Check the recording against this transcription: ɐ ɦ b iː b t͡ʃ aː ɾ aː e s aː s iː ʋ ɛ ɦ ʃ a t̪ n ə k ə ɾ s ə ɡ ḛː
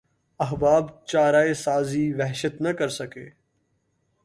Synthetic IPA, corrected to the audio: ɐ ɦ b aː b t͡ʃ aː ɾ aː e s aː z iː ʋ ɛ ɦ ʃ ə t̪ n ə k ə ɾ s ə k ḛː